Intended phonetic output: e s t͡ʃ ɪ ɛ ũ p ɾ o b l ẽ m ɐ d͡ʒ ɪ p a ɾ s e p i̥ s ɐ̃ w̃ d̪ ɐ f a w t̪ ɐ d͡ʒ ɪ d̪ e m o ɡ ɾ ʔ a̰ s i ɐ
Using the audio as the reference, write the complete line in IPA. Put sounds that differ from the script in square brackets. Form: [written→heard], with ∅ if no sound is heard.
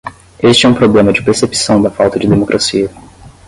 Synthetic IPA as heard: e s t͡ʃ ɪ ɛ ũ p ɾ o b l ẽ m ɐ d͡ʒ ɪ p [a→e] ɾ s e p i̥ s ɐ̃ w̃ d̪ ɐ f a w t̪ ɐ d͡ʒ ɪ d̪ e m o [ɡ→k] ɾ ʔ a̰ s i ɐ

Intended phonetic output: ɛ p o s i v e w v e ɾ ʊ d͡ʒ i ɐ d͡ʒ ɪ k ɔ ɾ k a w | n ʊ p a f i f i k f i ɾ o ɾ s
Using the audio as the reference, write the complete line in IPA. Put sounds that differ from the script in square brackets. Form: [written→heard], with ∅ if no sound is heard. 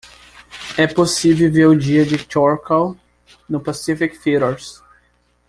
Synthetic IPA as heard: ɛ p o s i v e w v e ɾ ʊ d͡ʒ i ɐ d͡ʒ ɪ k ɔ ɾ k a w | n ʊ p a [f→s] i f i k f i ɾ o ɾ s

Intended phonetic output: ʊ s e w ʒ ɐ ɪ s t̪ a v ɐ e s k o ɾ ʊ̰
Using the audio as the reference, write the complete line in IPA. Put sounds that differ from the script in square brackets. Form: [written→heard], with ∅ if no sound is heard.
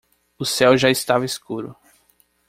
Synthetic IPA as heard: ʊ s [e→ɛ] w ʒ [ɐ→a] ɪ s t̪ a v ɐ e s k [o→u] ɾ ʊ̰

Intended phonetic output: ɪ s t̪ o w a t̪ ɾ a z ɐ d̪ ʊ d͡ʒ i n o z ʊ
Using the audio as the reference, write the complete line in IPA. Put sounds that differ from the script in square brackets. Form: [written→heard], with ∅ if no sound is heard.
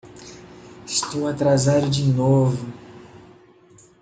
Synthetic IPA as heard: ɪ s t̪ o w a t̪ ɾ a z [ɐ→a] d̪ ʊ d͡ʒ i n o [z→v] ʊ

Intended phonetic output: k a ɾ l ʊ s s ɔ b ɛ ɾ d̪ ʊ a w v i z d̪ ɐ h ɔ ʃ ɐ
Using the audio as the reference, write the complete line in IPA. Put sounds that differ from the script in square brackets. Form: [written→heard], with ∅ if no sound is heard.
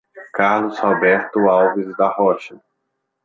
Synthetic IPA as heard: k a ɾ l ʊ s [s→h] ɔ b ɛ ɾ [d̪→t̪] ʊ a w v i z d̪ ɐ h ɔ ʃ ɐ

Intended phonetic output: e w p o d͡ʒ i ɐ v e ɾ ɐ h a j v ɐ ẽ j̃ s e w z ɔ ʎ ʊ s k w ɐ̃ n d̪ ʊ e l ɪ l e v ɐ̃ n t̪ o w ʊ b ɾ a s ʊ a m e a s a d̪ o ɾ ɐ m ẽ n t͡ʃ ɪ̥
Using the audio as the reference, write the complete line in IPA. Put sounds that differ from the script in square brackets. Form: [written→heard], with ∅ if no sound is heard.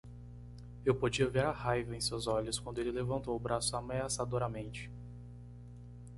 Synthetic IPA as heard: e w p o d͡ʒ i ɐ v e ɾ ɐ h a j v ɐ ẽ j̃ s e w z ɔ ʎ ʊ s k w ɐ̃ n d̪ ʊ e l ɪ l e v ɐ̃ n t̪ o w ʊ b ɾ a s ʊ a m e a s a d̪ o ɾ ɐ m ẽ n t͡ʃ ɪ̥

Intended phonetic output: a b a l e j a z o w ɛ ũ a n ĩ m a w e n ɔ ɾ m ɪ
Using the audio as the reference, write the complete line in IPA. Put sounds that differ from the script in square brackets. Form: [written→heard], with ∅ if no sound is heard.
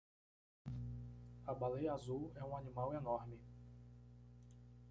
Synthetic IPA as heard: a b a l e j a z [o→u] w ɛ ũ a n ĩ m a w e n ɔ ɾ m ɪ

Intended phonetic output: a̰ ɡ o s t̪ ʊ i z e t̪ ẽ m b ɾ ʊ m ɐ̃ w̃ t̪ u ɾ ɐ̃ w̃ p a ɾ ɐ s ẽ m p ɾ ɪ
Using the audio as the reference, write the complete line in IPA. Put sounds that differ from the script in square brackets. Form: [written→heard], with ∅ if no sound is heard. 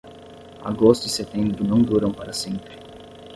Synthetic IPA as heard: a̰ ɡ o s t̪ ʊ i [z→s] e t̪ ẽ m b ɾ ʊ [m→n] ɐ̃ w̃ [t̪→d̪] u ɾ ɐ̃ w̃ p a ɾ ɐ s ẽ m p ɾ ɪ

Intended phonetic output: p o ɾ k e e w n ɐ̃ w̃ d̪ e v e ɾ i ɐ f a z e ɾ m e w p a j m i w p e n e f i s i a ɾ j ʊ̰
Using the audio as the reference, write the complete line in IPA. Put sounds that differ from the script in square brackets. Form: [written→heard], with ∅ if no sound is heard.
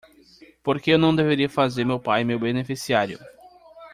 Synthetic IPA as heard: p o ɾ k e e w n ɐ̃ w̃ d̪ e v e ɾ i ɐ f a z e ɾ m e w p a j m [i→e] w [p→b] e n e f i s i a ɾ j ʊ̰

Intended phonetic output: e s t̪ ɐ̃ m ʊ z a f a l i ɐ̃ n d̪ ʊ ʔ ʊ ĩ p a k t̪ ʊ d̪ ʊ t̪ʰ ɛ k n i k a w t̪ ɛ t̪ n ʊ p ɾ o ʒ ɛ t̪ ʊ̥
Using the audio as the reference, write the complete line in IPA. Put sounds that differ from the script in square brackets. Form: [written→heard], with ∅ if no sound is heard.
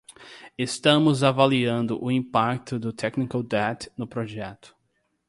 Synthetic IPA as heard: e s t̪ ɐ̃ m ʊ z a [f→v] a l i ɐ̃ n d̪ ʊ ʔ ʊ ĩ p a k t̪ ʊ d̪ ʊ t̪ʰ ɛ k n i k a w [t̪→d̪] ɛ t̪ n ʊ p ɾ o ʒ ɛ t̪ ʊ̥

